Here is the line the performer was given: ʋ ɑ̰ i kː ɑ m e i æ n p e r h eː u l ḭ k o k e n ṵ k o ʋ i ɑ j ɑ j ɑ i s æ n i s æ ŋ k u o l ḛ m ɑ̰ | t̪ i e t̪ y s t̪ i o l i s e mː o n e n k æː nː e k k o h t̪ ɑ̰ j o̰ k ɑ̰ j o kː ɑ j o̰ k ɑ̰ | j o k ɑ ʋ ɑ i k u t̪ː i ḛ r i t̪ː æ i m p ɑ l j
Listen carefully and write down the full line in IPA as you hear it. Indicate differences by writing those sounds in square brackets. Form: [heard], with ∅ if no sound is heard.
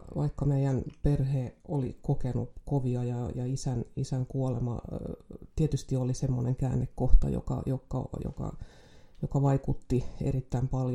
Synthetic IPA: ʋ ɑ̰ i kː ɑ m e i æ n p e r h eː [o] l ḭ k o k e n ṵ k o ʋ i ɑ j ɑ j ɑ i s æ n i s æ ŋ k u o l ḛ m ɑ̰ | t̪ i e t̪ y s t̪ i o l i s e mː o n e [ŋ] k æː nː e k k o h t̪ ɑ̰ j o̰ k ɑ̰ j o kː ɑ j o̰ k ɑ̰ | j o k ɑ ʋ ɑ i k u t̪ː i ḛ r i t̪ː æ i m p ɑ l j